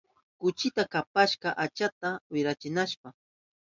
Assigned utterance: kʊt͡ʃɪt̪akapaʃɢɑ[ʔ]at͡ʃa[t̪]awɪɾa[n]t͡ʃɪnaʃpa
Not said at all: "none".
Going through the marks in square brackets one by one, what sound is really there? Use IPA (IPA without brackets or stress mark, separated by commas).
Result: ʔ, t̪, none